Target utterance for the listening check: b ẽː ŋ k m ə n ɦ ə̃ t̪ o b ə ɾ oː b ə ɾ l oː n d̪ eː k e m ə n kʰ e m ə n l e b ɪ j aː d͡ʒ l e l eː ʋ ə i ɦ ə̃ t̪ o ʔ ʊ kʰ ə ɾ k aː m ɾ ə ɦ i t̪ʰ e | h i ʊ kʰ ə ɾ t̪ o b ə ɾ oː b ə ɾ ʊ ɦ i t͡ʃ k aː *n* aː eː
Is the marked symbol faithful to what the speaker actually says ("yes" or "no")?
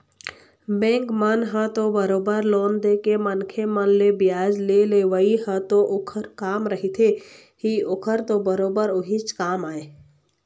no